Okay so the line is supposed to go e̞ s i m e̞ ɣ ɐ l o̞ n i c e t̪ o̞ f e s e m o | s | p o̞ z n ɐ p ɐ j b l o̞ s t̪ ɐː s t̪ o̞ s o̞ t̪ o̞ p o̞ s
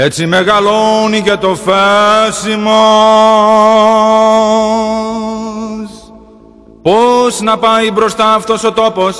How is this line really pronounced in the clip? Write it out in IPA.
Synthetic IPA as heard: e̞ t͡s i m e̞ ɣ ɐ l o̞ n i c e t̪ o̞ f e s i m o | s | p o̞ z n ɐ p ɐ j b ɾ o̞ s t̪ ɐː f t̪ o̞ s o̞ t̪ o̞ p o̞ s